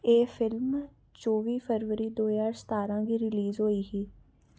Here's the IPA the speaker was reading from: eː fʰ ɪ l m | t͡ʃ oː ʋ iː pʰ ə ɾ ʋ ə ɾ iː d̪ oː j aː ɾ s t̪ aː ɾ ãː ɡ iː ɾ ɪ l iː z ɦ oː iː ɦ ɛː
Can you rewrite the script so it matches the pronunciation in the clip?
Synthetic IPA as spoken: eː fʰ ɪ l m | t͡ʃ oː ʋ iː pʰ ə ɾ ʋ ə ɾ iː d̪ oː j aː ɾ s t̪ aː ɾ ãː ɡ iː ɾ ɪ l iː z ɦ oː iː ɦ iː